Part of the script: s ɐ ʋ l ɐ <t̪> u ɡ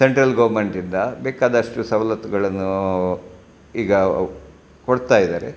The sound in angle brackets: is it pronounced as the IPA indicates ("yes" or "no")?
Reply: yes